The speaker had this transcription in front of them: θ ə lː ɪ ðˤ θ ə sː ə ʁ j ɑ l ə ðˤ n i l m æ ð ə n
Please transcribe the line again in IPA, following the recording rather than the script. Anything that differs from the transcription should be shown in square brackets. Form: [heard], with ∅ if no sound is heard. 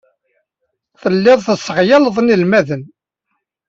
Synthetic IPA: θ ə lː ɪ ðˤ θ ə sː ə ʁ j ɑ l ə ðˤ n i l m æ ð ə n